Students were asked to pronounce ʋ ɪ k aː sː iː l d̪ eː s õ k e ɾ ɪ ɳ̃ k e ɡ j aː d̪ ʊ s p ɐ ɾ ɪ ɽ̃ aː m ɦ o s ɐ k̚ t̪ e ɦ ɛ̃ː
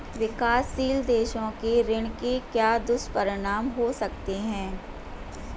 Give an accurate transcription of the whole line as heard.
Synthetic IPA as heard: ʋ ɪ k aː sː iː l d̪ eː ʃ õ k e ɾ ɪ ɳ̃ k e k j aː d̪ ʊ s p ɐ ɾ ɪ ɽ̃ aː m ɦ o s ɐ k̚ t̪ e ɦ ɛ̃ː